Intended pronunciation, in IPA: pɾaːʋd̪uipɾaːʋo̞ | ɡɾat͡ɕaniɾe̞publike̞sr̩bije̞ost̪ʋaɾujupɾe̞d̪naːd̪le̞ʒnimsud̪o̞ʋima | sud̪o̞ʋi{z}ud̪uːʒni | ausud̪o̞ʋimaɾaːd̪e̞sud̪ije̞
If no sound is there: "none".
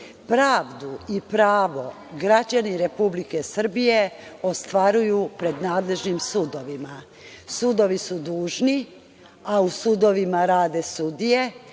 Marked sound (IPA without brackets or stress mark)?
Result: s